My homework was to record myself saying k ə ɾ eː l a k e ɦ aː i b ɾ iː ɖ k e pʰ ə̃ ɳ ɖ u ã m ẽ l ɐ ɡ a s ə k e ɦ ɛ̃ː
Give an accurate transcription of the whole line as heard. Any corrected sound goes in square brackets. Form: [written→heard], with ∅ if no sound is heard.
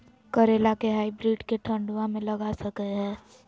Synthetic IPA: k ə ɾ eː l a k e ɦ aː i b ɾ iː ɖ k e [pʰ→ʈʰ] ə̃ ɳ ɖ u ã m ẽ l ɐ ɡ a s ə k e ɦ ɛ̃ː